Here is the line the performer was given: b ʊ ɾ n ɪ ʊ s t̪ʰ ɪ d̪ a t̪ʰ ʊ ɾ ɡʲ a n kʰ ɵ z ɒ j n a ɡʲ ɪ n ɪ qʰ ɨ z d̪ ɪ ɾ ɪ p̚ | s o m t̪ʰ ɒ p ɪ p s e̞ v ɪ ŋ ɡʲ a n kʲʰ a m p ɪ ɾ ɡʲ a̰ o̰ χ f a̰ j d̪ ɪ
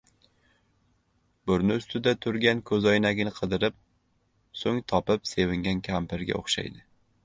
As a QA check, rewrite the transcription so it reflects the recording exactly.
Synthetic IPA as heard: b ʊ ɾ n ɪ ʊ s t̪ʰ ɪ d̪ a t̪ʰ ʊ ɾ ɡʲ a n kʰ ɵ z ɒ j n a ɡʲ ɪ n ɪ qʰ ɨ d̪ ɪ ɾ ɪ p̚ | s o ŋ t̪ʰ ɒ p ɪ p s e̞ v ɪ ŋ ɡʲ a n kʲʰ a m p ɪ ɾ ɡʲ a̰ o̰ χ ʃ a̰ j d̪ ɪ